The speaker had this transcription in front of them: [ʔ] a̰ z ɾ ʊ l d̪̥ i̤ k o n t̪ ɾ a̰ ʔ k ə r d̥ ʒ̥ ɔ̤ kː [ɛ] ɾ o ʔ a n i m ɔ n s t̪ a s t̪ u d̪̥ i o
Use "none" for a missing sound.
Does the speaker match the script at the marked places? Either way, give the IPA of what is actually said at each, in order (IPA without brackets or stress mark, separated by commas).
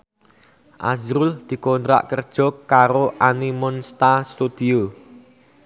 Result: ʔ, a